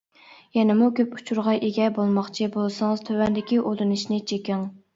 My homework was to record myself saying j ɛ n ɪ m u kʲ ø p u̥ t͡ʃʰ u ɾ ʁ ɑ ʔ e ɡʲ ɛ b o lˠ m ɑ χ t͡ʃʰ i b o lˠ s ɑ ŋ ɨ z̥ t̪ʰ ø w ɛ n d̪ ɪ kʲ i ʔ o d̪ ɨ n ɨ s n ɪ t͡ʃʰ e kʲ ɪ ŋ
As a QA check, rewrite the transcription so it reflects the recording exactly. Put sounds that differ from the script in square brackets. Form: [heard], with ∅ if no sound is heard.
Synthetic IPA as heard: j ɛ n ɪ m u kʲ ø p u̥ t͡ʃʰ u ɾ ʁ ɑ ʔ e ɡʲ ɛ b o lˠ m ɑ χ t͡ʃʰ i b o lˠ s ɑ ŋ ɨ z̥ t̪ʰ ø w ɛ n d̪ ɪ kʲ i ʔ o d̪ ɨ n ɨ [ʃ] n ɪ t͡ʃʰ e kʲ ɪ ŋ

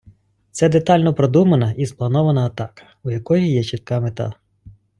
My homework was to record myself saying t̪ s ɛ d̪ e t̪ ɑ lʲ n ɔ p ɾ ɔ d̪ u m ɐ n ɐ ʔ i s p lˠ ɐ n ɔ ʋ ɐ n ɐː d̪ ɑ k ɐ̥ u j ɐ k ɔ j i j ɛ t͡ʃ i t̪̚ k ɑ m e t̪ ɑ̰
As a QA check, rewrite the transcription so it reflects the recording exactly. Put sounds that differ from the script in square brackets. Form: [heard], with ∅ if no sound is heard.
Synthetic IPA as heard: t̪ s ɛ d̪ e t̪ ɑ lʲ n ɔ p ɾ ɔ d̪ u m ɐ n ɐ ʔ i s p lˠ ɐ n ɔ ʋ ɐ n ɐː [t̪] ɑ k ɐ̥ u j ɐ k ɔ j i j ɛ t͡ʃ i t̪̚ k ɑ m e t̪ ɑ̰

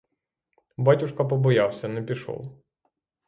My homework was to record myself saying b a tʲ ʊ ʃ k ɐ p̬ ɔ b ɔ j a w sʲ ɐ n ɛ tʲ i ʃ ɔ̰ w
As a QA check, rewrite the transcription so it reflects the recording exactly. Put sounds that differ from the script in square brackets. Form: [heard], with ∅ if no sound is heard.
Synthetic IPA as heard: b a tʲ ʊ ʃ k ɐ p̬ ɔ b ɔ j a w sʲ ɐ n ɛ [pʲ] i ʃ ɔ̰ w

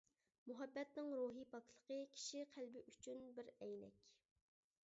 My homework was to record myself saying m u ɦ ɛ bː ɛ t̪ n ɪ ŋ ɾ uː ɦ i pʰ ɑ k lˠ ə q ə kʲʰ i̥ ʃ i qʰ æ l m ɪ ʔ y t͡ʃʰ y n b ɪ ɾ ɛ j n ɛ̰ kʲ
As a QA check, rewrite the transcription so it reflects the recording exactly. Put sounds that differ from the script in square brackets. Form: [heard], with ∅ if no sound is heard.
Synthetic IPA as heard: m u ɦ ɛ bː ɛ t̪ n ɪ ŋ ɾ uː ɦ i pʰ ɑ k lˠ ə q ə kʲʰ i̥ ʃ i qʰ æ l [b] ɪ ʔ y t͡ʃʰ y n b ɪ ɾ ɛ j n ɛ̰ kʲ

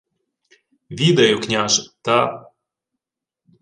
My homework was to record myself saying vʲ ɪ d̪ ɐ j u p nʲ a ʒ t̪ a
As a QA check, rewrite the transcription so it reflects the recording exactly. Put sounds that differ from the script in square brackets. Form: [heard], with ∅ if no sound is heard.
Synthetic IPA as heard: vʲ [i] d̪ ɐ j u [k] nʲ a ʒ t̪ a

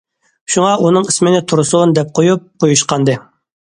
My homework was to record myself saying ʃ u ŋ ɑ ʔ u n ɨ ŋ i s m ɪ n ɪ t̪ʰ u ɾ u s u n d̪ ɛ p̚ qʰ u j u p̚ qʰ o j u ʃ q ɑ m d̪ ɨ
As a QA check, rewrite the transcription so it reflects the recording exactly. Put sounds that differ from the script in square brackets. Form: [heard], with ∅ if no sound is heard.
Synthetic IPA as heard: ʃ u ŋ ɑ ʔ u n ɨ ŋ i s m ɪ n ɪ t̪ʰ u ɾ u s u n d̪ ɛ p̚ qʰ [o] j u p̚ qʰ o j u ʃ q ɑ [n] d̪ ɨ

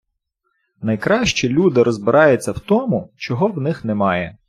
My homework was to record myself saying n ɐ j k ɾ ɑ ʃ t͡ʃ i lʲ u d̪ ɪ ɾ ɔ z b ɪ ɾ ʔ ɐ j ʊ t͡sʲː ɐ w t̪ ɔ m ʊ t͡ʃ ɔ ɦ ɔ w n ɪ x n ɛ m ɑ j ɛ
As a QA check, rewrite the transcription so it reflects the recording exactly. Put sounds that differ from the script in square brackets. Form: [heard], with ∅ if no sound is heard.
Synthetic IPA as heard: n ɐ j k ɾ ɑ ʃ t͡ʃ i lʲ u d̪ ɪ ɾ ɔ z b ɪ ɾ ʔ [ɑ] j ʊ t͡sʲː ɐ w t̪ ɔ m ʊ t͡ʃ ɔ ɦ ɔ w n ɪ x n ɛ m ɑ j ɛ

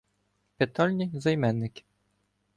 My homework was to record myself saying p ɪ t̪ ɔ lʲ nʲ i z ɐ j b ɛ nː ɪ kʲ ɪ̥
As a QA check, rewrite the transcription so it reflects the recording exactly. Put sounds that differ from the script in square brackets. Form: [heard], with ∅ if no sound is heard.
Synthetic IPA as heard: p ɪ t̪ ɔ lʲ nʲ i z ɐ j [m] ɛ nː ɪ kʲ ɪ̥

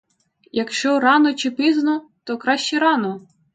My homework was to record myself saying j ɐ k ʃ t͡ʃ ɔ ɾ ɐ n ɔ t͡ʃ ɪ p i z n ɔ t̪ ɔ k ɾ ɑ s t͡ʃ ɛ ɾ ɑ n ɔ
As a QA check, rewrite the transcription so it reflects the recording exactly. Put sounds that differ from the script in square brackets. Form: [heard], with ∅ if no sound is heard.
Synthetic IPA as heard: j ɐ k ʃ t͡ʃ ɔ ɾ [ɑ] n ɔ t͡ʃ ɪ p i z n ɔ t̪ ɔ k ɾ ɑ [ʃ] t͡ʃ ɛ ɾ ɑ n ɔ

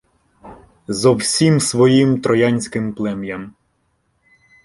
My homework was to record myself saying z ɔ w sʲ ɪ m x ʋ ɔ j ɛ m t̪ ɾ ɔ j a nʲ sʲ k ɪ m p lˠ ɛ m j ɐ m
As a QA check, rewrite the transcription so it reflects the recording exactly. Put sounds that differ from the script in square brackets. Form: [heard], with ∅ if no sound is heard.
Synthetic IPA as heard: z ɔ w sʲ [i] m [s] ʋ ɔ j [i] m t̪ ɾ ɔ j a nʲ sʲ k ɪ m p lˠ ɛ m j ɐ m

